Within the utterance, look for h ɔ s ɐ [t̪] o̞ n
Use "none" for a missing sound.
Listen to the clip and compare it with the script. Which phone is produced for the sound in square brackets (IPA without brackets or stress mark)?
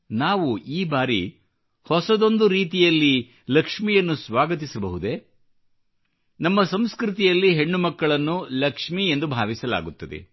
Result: d̪